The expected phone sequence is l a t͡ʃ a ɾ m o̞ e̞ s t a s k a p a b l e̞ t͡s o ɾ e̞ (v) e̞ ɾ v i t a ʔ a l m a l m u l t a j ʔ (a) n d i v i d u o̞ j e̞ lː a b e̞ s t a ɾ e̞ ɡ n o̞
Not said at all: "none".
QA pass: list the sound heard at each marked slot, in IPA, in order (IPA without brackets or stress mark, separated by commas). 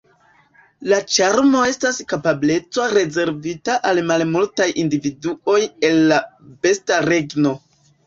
z, i